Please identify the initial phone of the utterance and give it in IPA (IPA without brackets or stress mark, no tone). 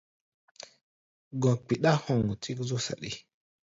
ɡ